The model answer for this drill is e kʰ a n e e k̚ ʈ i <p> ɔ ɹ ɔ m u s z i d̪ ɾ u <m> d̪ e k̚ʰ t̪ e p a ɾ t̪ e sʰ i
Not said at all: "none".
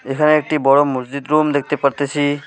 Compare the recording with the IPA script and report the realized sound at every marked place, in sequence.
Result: b, m

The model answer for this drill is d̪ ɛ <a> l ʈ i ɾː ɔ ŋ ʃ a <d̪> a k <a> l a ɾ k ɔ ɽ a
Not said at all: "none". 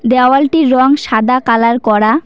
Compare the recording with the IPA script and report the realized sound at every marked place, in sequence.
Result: a, d̪, a

